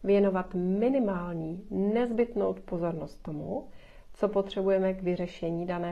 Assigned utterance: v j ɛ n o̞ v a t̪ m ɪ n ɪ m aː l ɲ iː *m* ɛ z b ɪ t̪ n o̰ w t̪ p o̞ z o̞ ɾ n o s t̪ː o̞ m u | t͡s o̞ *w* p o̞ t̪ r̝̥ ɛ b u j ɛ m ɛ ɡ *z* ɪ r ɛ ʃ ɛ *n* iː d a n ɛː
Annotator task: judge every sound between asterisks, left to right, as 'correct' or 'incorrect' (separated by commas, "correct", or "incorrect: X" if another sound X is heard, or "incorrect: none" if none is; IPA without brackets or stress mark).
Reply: incorrect: n, incorrect: none, incorrect: v, incorrect: ɲ